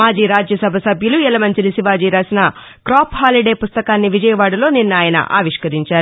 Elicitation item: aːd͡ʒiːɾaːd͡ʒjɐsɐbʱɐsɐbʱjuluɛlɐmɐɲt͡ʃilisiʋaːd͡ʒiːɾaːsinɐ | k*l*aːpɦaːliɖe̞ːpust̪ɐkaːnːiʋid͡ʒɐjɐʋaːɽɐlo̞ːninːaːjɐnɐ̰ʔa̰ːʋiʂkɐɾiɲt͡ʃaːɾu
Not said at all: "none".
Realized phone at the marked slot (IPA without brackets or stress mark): ɾ